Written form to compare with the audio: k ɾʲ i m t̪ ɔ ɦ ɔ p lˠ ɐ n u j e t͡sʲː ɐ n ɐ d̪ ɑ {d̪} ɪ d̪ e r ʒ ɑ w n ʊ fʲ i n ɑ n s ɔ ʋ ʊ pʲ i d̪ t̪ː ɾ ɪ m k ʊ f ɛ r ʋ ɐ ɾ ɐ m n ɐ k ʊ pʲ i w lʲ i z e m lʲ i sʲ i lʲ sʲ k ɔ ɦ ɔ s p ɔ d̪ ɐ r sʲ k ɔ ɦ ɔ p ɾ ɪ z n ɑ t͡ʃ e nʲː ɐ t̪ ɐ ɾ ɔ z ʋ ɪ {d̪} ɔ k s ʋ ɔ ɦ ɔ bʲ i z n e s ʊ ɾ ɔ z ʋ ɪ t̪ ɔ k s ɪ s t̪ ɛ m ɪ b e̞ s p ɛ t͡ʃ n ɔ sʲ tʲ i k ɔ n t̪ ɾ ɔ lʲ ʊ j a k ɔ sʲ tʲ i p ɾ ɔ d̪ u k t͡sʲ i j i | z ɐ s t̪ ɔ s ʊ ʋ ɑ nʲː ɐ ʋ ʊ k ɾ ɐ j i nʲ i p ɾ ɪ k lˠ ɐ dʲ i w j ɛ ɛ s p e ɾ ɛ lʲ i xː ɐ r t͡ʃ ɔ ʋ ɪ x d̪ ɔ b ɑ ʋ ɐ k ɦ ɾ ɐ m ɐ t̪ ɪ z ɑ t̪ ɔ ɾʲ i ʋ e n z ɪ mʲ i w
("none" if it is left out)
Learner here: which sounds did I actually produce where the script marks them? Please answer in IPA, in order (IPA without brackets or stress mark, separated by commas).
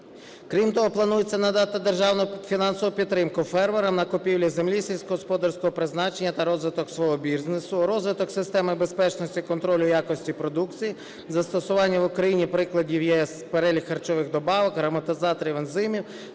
t̪, t̪